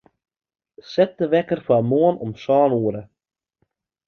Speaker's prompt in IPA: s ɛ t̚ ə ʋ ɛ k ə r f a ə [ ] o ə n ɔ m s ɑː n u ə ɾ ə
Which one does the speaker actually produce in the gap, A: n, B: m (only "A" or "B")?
B